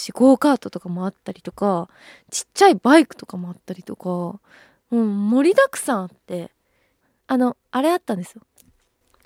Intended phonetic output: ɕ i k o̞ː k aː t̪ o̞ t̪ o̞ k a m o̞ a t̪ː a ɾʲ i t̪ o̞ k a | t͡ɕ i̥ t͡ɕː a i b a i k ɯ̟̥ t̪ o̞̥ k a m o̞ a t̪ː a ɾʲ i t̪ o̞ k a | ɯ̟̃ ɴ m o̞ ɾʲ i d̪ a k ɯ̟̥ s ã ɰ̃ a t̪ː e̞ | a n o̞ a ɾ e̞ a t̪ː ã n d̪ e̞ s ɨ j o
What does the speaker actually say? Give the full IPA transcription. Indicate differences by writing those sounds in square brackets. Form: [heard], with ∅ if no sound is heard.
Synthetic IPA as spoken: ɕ i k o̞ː k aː t̪ o̞ t̪ o̞ k a m o̞ a t̪ː a ɾʲ i t̪ o̞ k a | t͡ɕ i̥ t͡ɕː a i b a i k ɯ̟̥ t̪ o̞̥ k a m o̞ a t̪ː a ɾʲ i t̪ o̞ k a | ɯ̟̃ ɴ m o̞ ɾʲ i d̪ a k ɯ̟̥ s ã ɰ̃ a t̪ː e̞ | a n o̞ a ɾ e̞ a t̪ː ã n d̪ e̞ s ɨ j o